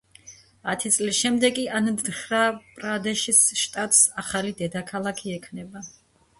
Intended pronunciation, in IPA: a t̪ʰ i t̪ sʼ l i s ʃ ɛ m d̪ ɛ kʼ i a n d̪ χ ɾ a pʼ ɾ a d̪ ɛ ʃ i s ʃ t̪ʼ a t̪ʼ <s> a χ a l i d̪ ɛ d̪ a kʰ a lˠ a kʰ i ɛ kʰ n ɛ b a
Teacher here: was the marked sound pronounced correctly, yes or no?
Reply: yes